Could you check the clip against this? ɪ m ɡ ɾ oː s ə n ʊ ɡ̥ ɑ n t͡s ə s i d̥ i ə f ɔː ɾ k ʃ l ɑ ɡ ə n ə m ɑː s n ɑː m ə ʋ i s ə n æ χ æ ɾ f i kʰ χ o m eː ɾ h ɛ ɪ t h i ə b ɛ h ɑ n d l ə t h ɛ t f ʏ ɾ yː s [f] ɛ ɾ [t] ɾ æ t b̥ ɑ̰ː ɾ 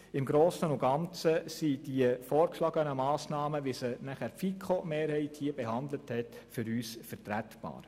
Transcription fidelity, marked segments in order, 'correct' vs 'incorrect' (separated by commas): correct, correct